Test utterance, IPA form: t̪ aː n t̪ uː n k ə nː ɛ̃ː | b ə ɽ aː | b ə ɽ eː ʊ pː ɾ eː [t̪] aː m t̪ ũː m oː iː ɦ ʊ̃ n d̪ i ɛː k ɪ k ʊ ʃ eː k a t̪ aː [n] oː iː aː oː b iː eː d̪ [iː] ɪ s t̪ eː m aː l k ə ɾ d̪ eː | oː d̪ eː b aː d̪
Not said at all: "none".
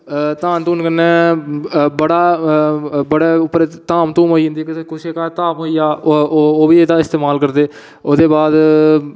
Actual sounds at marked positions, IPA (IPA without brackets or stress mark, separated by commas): t̪, m, aː